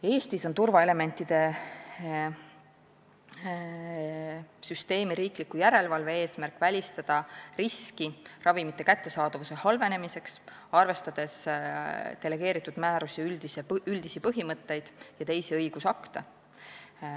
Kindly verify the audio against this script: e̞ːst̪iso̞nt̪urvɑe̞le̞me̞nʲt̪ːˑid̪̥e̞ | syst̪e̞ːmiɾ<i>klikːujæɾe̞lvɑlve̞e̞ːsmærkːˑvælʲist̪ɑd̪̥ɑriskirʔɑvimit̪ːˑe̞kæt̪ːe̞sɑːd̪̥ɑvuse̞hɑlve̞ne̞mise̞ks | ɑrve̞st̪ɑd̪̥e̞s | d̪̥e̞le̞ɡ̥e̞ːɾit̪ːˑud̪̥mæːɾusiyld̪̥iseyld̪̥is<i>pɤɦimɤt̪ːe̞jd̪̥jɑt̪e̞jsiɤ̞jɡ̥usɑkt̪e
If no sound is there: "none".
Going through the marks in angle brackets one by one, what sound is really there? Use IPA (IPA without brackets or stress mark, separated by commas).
iː, i